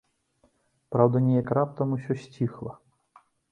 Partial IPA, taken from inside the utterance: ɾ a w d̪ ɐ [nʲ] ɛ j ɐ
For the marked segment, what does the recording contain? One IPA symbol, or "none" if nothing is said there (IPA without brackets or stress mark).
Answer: nʲ